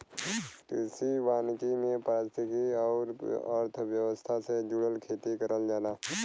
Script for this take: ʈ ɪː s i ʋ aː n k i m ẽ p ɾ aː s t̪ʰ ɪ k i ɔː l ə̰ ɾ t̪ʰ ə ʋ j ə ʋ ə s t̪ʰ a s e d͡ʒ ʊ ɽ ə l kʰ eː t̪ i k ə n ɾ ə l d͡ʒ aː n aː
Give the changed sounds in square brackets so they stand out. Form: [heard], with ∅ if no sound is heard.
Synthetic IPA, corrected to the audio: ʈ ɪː s i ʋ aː n k i m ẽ p ɾ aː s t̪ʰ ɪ k i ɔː [ɾ] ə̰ ɾ t̪ʰ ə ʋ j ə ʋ ə s t̪ʰ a s e d͡ʒ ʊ ɽ ə l kʰ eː t̪ i k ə [∅] ɾ ə l d͡ʒ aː n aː